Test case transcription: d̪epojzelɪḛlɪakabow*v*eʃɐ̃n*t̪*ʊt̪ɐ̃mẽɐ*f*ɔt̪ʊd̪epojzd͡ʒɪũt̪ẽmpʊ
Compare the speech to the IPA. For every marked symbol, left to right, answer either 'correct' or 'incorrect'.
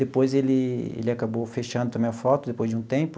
incorrect: f, incorrect: d̪, correct

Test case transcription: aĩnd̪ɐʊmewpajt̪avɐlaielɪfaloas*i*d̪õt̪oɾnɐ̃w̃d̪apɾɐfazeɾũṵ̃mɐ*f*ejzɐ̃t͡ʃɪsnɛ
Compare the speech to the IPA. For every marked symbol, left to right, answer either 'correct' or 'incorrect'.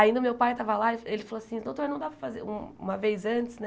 incorrect: ĩ, incorrect: v

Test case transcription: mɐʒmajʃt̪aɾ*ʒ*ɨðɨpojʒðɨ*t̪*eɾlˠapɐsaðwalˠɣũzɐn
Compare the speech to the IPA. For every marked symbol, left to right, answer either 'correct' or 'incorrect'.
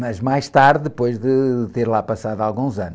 incorrect: ð, correct

